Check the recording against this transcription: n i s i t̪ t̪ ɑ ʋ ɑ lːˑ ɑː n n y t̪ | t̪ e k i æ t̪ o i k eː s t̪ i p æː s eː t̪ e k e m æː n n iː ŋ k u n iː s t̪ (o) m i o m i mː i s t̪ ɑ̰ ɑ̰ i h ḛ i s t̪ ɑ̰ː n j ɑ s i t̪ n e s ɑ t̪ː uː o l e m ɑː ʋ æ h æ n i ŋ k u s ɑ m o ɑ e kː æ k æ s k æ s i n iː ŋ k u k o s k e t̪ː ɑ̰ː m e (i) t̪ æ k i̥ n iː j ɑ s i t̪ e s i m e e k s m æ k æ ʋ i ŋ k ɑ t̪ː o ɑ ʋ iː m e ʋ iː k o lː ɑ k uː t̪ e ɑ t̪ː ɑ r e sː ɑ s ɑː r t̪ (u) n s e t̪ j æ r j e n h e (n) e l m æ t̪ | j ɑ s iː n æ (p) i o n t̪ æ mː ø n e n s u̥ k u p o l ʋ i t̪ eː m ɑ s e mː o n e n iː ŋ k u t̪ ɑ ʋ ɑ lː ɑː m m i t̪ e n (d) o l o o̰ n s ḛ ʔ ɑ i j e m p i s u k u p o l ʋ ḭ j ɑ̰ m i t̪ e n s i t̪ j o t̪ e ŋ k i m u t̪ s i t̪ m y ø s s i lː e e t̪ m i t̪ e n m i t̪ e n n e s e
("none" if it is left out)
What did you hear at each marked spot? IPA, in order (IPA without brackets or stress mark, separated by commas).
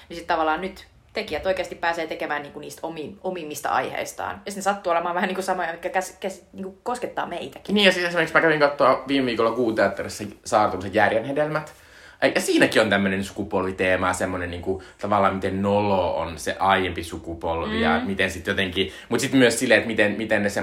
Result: o, i, u, d, k, n